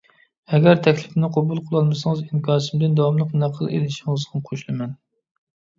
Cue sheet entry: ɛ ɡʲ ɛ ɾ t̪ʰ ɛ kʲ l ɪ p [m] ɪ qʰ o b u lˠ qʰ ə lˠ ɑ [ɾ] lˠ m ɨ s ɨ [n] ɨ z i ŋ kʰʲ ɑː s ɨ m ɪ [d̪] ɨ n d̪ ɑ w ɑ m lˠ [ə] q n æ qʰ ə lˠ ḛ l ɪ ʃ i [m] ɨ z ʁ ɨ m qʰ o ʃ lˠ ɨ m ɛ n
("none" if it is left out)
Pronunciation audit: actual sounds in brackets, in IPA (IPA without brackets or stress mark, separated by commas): n, none, ŋ, d̪, ə, ŋ